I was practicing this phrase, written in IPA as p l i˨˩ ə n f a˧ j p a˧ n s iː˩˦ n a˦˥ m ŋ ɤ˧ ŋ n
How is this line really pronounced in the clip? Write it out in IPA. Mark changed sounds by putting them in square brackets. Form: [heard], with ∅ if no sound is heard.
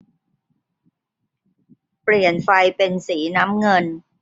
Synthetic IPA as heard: p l i˨˩ ə n f a˧ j p [e˧] n s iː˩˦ n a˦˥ m ŋ ɤ˧ [∅] n